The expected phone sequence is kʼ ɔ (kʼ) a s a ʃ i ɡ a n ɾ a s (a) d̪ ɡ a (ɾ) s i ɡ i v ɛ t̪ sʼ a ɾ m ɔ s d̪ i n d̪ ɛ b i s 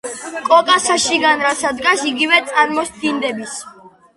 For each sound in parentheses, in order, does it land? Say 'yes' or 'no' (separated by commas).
yes, yes, no